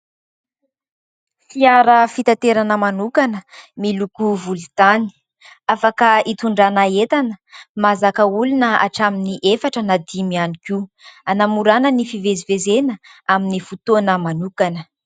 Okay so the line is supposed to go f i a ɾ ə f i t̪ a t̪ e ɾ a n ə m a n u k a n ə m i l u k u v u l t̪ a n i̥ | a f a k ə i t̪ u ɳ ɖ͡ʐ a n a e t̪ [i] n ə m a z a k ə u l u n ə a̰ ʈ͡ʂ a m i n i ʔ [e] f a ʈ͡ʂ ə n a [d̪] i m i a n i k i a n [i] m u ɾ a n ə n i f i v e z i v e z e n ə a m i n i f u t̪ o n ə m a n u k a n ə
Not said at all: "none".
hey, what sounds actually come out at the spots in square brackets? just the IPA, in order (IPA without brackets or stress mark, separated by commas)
a, e, d̪, a